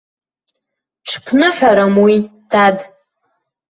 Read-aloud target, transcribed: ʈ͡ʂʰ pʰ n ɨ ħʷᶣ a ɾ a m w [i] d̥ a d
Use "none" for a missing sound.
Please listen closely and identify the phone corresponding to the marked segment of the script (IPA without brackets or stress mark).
i